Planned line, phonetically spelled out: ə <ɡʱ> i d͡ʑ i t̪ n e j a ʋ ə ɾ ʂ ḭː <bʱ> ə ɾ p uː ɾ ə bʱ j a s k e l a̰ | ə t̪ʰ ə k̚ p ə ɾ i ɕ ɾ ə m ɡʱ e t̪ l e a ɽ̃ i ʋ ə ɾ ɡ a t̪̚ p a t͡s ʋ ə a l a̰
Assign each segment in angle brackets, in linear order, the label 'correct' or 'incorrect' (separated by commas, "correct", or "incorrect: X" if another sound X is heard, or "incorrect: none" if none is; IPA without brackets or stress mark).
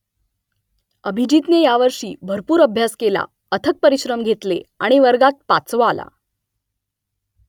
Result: incorrect: bʱ, correct